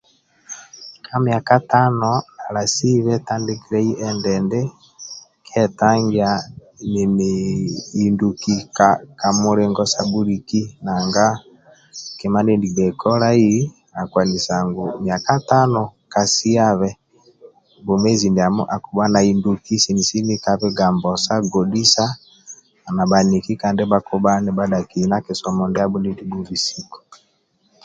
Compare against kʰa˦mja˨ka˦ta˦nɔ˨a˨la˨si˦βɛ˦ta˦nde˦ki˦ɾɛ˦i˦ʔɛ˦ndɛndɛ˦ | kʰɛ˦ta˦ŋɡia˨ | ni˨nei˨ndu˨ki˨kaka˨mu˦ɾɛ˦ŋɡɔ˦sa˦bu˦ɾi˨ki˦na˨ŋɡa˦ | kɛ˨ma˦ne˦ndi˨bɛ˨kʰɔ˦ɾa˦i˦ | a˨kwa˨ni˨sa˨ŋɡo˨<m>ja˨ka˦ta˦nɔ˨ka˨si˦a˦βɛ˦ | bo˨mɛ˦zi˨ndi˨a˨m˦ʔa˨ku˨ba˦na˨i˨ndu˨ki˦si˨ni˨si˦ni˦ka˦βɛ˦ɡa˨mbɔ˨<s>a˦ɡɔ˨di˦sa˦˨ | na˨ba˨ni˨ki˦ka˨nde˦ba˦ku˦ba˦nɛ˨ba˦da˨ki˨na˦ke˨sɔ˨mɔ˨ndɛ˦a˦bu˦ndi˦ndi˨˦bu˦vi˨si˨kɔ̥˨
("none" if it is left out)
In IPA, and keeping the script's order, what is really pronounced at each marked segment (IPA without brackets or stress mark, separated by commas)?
m, s